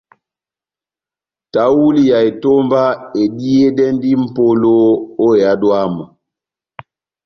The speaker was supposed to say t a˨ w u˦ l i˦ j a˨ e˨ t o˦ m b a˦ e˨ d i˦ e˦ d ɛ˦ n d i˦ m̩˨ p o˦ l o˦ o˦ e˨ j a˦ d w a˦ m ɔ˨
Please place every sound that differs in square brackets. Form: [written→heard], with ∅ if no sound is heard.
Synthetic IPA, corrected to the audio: t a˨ w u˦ l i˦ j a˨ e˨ t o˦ m b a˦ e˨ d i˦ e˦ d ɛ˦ n d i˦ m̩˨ p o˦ l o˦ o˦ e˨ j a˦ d w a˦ m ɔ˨